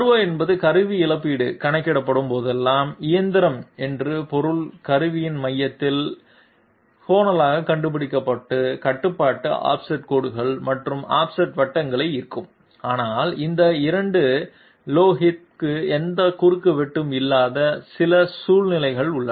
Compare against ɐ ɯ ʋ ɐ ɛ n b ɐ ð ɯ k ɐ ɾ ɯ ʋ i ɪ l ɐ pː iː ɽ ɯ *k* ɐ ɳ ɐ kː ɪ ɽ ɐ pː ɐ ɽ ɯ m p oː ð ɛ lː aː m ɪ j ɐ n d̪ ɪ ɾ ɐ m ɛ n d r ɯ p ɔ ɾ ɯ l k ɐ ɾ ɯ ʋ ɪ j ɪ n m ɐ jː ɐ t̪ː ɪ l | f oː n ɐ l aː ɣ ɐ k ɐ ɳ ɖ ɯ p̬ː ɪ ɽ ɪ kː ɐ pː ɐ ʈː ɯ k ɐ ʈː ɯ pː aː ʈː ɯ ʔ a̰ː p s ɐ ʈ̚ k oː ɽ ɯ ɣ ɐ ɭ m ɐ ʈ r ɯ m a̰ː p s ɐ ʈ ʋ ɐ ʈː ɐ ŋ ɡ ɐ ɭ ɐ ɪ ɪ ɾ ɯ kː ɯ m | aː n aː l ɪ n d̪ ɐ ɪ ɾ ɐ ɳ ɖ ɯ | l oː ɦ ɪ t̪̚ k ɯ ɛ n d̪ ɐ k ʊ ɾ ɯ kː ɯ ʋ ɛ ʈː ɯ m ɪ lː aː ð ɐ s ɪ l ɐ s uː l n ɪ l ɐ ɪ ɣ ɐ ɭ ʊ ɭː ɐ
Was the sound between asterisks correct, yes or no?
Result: yes